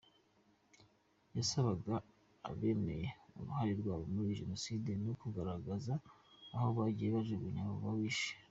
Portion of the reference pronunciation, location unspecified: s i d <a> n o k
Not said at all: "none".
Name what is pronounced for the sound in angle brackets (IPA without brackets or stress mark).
e